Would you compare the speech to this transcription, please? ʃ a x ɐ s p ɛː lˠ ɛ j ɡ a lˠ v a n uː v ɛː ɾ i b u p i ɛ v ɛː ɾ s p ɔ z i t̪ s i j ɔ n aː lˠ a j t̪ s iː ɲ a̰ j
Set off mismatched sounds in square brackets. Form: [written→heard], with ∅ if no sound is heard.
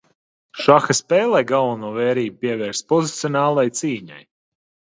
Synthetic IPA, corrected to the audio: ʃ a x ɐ s p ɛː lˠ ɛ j ɡ a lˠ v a n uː v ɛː ɾ [i→iː] b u p i ɛ v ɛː ɾ s p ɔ z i t̪ s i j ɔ n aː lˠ a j t̪ s iː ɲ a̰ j

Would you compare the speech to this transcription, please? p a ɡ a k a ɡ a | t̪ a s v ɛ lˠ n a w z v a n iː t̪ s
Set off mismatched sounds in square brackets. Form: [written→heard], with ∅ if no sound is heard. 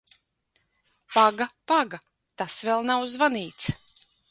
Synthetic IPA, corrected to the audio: p a ɡ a [k→p] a ɡ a | t̪ a s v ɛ lˠ n a w z v a n iː t̪ s

